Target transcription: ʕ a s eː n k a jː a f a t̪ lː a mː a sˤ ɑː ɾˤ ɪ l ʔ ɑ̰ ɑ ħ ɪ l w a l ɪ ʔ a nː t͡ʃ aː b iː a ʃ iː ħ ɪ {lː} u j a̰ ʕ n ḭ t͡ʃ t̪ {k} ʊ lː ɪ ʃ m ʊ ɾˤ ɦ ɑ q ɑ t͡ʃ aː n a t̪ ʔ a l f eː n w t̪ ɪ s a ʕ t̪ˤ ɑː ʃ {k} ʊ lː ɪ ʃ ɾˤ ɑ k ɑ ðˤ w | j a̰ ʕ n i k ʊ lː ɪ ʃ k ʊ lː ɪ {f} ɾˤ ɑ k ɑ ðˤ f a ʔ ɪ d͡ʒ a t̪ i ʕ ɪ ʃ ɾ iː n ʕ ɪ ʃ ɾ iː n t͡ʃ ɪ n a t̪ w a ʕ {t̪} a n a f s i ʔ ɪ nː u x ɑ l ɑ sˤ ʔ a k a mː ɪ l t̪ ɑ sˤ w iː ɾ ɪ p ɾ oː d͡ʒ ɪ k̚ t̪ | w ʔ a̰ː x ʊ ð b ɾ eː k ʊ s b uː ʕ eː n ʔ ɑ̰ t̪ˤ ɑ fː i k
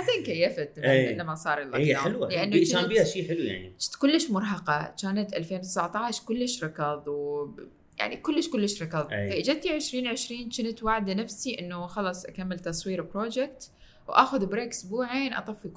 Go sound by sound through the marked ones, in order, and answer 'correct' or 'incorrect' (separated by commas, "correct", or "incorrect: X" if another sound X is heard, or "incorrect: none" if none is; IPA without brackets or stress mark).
incorrect: l, correct, correct, incorrect: ʃ, incorrect: d̪